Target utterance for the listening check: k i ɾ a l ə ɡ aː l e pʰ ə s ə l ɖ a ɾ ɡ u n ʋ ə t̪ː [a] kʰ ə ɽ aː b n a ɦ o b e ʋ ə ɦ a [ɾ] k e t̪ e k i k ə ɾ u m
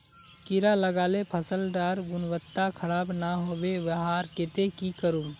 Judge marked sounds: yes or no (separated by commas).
yes, yes